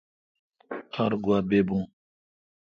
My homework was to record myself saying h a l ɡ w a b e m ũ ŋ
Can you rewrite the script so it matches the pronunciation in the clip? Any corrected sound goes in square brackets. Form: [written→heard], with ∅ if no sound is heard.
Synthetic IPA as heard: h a [l→ɾ] ɡ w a b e [m→b] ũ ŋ